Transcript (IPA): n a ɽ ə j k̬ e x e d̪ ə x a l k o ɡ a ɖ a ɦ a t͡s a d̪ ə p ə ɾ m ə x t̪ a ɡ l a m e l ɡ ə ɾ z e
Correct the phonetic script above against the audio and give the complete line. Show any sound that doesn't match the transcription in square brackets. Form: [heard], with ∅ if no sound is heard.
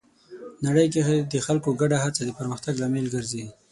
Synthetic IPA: n a ɽ ə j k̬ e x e d̪ ə x a l k o ɡ a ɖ a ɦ a t͡s a d̪ ə p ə ɾ m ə x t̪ a ɡ l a m e l ɡ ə ɾ z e